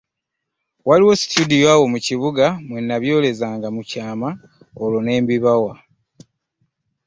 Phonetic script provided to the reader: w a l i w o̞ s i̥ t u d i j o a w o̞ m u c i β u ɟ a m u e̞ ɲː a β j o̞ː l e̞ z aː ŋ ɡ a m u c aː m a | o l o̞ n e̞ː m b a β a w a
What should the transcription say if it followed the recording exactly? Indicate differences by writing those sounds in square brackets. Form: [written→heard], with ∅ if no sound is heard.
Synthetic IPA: w a l i w o̞ s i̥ t u d i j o a w o̞ m u c i β u [ɟ→ɡ] a m [u→w] e̞ [ɲː→nː] a β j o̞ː l e̞ z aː ŋ ɡ a m u c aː m a | o l o̞ n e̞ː m b [a→i] β a w a